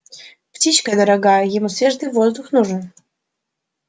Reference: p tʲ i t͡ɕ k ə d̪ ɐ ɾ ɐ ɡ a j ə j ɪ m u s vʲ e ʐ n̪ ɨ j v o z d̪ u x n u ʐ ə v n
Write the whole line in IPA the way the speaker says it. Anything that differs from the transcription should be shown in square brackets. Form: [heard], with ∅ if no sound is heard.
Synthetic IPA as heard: p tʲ i t͡ɕ k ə d̪ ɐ ɾ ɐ ɡ a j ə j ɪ m u s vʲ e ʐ [d̪] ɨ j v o z d̪ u x n u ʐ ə [∅] n